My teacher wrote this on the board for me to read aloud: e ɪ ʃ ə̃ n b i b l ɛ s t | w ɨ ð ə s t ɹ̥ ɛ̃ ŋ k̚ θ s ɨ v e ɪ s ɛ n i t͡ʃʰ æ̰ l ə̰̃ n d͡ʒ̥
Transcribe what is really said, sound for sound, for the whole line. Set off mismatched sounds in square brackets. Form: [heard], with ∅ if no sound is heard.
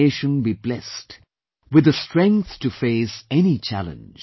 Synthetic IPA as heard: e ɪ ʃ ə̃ n b i b l ɛ s t | w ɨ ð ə s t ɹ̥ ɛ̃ ŋ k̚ θ [t] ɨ [f] e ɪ s ɛ n i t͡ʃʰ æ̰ l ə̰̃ n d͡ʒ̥